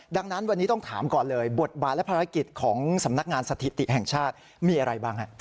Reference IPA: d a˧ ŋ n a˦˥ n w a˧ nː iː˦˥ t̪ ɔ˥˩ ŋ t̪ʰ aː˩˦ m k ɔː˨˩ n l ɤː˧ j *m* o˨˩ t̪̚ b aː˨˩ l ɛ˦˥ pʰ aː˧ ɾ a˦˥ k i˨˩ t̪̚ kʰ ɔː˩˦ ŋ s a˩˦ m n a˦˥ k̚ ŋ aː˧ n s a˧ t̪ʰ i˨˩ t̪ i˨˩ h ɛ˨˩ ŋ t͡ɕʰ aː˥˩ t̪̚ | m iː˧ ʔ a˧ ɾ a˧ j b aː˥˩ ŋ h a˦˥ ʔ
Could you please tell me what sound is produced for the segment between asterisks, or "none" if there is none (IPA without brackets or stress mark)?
b